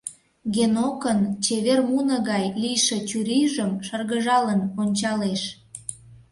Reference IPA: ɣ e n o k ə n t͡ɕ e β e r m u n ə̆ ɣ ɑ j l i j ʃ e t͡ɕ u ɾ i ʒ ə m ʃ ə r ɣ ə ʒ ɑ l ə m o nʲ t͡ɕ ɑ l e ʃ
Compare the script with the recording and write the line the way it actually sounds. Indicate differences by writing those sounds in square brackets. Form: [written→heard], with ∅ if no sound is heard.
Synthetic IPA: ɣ e n o k ə n t͡ɕ e β e r m u n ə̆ ɣ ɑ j l i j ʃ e t͡ɕ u ɾ i ʒ ə m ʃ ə r ɣ ə ʒ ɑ l ə [m→n] o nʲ t͡ɕ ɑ l e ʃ

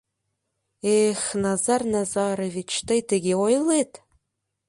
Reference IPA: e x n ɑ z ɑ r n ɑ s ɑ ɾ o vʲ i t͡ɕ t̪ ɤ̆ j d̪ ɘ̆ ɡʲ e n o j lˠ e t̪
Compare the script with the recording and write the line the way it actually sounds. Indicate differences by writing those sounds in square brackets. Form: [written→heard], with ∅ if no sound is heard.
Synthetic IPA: e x n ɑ z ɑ r n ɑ [s→z] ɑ ɾ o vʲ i t͡ɕ t̪ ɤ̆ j [d̪→t̪] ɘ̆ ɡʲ e [n→∅] o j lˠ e t̪

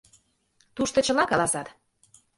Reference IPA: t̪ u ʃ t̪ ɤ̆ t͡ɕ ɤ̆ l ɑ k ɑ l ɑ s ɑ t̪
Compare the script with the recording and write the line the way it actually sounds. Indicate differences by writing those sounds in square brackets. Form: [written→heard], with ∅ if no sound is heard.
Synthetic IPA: t̪ u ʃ t̪ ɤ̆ t͡ɕ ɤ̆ l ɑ k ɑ l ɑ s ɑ t̪

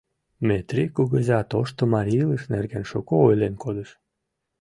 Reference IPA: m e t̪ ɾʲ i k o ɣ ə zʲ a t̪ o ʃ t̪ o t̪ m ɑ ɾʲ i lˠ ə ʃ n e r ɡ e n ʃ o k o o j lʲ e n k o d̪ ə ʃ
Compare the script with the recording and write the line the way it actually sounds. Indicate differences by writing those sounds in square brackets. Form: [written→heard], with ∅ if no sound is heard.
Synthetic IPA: m e t̪ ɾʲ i k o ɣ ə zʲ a t̪ o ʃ t̪ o [t̪→∅] m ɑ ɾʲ i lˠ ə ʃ n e r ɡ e n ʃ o k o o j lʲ e n k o d̪ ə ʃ

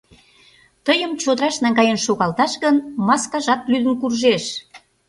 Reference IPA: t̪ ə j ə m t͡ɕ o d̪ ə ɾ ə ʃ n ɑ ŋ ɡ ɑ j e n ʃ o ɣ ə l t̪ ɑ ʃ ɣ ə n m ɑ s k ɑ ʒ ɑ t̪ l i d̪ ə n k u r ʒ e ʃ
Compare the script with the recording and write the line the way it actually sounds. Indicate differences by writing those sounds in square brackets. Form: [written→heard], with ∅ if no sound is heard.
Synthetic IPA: t̪ ə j ə m t͡ɕ o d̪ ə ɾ [ə→ɑ] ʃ n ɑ ŋ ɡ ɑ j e n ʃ o ɣ [ə→ɑ] l t̪ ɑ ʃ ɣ ə n m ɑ s k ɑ ʒ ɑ t̪ l [i→y] d̪ ə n k u r ʒ e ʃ

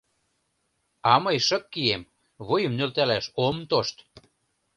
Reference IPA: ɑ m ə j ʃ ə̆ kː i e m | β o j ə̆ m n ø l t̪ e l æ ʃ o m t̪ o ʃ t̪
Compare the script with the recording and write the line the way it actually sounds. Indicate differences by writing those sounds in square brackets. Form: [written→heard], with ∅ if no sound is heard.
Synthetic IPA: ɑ m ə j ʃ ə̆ kː i e m | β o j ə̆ m n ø l t̪ [e→æ] l æ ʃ o m t̪ o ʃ t̪

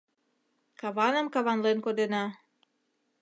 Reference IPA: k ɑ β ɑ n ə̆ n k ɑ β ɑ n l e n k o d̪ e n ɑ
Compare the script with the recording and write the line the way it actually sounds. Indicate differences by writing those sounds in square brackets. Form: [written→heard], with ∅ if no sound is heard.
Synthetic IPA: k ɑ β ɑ n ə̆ [n→m] k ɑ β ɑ n l e n k o d̪ e n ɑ

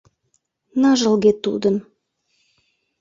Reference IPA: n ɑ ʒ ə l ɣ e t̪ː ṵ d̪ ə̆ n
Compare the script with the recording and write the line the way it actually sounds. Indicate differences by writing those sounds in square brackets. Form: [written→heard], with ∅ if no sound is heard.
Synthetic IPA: n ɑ ʒ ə l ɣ e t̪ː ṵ d̪ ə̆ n

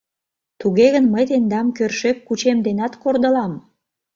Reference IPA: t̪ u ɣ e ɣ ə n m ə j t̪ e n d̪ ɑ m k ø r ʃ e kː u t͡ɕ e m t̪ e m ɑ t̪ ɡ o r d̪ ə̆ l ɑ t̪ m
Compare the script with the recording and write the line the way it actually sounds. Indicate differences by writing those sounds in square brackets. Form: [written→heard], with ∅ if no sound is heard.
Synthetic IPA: t̪ u ɣ e ɣ ə n m ə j t̪ e n d̪ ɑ m k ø r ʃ e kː u t͡ɕ e m [t̪→d̪] e [m→n] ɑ t̪ [ɡ→k] o r d̪ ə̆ l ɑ [t̪→∅] m

